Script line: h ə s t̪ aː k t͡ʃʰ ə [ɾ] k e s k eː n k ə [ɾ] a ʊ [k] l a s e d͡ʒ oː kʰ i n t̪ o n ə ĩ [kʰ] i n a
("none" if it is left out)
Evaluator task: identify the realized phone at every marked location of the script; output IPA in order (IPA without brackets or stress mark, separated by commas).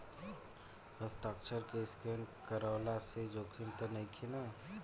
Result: ɾ, ɾ, none, kʰ